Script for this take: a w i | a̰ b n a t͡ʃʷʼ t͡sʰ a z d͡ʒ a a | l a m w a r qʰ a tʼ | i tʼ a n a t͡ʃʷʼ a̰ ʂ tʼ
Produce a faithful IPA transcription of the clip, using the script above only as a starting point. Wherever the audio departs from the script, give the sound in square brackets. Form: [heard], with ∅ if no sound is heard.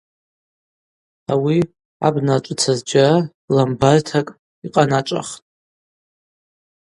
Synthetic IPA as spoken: a w i | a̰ b n a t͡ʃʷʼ t͡sʰ a z d͡ʒ a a | l a m [b] a r [tʰ] a [kʼ] | i [qʼ] a n a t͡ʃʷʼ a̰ [χ] tʼ